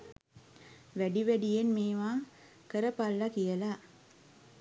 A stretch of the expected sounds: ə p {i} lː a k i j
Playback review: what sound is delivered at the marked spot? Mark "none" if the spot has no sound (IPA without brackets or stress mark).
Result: a